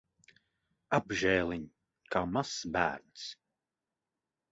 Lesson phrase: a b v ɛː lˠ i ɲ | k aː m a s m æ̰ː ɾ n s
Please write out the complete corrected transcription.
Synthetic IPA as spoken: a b ʒ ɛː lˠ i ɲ | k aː m a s b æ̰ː ɾ n s